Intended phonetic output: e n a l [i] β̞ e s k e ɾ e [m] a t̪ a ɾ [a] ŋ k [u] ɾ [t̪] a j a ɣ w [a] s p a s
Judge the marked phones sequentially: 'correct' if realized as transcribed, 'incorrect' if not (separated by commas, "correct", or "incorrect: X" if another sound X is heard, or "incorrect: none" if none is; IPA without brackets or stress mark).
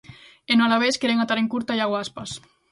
incorrect: a, incorrect: ŋ, incorrect: e, correct, correct, correct